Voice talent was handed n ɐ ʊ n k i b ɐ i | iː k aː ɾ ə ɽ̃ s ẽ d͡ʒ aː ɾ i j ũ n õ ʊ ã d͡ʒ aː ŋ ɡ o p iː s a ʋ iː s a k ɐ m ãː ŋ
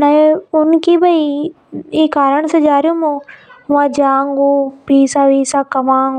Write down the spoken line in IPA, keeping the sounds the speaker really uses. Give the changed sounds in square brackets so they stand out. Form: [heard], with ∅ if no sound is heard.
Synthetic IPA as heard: n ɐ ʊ n k i b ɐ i | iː k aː ɾ ə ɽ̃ s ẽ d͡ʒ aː ɾ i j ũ [m] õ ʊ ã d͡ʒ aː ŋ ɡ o p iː s a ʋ iː s a k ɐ m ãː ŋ